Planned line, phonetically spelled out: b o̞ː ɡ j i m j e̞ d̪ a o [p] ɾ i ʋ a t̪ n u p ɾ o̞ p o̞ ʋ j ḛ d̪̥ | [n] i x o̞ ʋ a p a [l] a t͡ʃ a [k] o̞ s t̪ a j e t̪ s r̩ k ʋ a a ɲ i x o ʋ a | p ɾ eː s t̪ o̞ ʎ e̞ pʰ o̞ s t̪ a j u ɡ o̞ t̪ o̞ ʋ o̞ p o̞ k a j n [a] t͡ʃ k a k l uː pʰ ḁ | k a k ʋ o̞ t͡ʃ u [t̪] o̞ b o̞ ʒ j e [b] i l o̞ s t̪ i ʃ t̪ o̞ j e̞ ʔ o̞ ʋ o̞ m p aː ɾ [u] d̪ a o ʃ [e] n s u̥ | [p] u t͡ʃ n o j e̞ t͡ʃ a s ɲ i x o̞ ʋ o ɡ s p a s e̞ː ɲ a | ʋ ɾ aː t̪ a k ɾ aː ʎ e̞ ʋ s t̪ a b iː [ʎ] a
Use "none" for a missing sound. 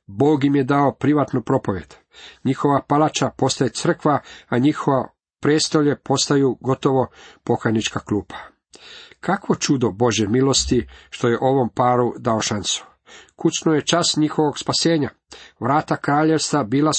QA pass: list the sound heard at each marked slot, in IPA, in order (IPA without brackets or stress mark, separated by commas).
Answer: p, ɲ, l, p, i, d̪, m, u, a, k, l